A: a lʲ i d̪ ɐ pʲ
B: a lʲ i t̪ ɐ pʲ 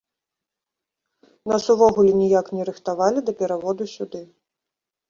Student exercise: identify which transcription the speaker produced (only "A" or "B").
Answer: A